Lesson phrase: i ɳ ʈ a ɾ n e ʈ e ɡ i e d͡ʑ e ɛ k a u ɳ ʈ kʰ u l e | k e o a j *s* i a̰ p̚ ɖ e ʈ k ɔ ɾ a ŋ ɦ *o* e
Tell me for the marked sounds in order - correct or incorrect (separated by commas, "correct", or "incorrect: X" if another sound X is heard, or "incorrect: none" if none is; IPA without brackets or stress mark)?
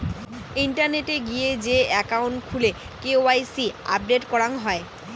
correct, incorrect: ɔ